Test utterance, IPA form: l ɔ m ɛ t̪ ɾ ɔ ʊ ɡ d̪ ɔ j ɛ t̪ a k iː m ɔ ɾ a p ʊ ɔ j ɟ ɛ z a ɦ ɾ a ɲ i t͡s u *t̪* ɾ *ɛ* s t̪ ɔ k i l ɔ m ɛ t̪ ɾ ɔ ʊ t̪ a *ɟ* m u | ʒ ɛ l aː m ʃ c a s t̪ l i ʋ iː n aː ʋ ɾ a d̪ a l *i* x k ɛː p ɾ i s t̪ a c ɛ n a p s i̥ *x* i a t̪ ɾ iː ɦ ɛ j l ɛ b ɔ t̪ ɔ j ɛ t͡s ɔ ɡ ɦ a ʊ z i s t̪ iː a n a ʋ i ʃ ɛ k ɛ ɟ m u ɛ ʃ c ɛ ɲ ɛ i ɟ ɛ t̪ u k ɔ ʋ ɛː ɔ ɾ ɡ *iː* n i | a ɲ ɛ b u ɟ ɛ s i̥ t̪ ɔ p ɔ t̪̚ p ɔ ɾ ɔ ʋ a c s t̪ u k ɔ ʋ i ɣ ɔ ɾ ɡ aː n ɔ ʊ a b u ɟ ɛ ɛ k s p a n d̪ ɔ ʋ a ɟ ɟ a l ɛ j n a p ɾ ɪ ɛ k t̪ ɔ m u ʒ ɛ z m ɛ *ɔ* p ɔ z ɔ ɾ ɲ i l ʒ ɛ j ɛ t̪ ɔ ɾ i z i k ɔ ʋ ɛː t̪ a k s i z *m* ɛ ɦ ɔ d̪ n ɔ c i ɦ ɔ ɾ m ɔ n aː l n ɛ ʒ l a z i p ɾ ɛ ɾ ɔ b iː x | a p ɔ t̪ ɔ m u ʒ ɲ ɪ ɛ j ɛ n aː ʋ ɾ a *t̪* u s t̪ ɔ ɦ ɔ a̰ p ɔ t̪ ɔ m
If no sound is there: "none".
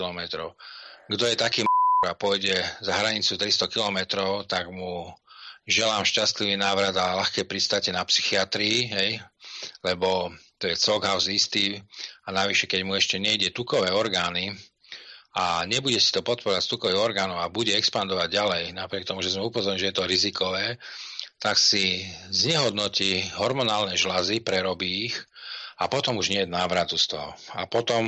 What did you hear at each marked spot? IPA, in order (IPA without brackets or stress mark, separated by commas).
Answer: t̪, i, ɡ, a, x, aː, u, ɲ, t̪